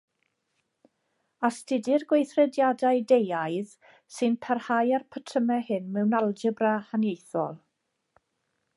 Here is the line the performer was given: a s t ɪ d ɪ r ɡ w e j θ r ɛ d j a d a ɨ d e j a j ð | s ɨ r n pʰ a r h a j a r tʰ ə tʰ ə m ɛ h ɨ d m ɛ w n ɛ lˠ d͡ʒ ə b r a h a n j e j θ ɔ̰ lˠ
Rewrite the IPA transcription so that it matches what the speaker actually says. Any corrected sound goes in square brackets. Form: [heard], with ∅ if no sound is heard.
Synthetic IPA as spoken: a s t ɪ d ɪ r ɡ w e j θ r ɛ d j a d a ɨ d e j a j ð | s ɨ [∅] n pʰ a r h a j a r [pʰ] ə tʰ ə m ɛ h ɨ [n] m ɛ w n [a] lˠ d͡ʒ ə b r a h a n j e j θ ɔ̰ lˠ